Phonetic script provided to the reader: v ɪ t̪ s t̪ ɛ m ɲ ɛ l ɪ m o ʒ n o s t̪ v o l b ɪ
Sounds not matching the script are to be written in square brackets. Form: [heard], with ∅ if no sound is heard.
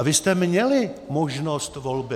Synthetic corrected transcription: v ɪ [∅] s t̪ ɛ m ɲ ɛ l ɪ m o ʒ n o s t̪ v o l b ɪ